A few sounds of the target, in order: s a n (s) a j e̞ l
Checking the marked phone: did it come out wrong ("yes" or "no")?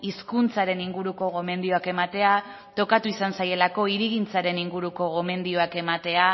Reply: no